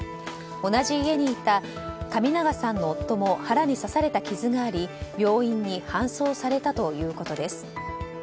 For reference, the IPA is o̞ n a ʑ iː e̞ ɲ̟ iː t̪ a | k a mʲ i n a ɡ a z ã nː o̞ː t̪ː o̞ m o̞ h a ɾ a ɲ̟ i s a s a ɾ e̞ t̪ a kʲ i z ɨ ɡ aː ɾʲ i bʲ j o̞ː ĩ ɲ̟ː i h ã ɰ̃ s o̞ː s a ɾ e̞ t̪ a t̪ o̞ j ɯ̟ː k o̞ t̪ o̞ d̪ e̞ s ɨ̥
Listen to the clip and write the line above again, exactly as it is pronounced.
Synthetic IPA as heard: o̞ n a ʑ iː e̞ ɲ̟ iː t̪ a | k a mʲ i n a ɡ a s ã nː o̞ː t̪ː o̞ m o̞ h a ɾ a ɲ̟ i s a s a ɾ e̞ t̪ a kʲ i z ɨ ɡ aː ɾʲ i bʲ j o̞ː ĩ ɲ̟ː i h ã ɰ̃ s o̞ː s a ɾ e̞ t̪ a t̪ o̞ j ɯ̟ː k o̞ t̪ o̞ d̪ e̞ s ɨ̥